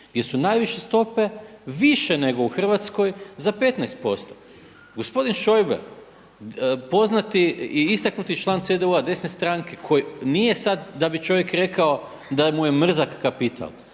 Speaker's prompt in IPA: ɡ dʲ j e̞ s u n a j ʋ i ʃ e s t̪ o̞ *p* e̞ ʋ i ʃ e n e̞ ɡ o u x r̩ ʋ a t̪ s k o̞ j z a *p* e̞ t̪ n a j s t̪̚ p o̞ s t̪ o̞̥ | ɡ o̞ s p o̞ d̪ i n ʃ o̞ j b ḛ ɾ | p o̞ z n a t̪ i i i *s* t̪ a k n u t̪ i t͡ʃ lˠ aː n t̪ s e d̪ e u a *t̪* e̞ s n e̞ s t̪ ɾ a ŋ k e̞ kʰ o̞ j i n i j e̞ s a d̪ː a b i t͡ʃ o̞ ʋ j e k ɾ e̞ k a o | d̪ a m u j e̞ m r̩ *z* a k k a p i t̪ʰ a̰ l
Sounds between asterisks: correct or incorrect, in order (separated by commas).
correct, correct, correct, incorrect, correct